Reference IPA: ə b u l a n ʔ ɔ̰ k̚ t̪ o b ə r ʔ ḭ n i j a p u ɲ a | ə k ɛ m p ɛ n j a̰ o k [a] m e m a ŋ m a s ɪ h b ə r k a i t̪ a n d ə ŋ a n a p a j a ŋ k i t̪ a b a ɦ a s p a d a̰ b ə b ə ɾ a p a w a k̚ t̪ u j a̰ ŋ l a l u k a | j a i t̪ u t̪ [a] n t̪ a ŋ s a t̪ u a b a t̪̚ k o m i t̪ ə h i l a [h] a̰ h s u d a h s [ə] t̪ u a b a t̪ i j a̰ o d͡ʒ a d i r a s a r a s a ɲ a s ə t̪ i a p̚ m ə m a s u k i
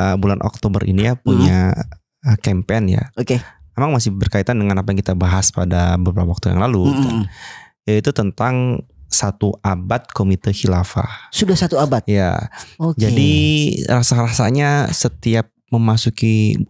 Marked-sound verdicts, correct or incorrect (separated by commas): incorrect, incorrect, incorrect, incorrect